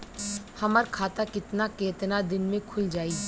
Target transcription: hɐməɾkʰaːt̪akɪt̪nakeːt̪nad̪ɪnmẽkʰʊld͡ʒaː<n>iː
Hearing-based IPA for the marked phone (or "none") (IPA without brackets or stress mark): none